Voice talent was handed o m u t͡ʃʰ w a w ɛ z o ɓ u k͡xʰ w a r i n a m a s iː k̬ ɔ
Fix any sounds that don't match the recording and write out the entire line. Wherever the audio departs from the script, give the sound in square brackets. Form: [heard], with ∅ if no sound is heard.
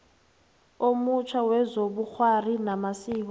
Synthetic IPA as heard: o m u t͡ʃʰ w a w ɛ z o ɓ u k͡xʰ w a r i n a m a s iː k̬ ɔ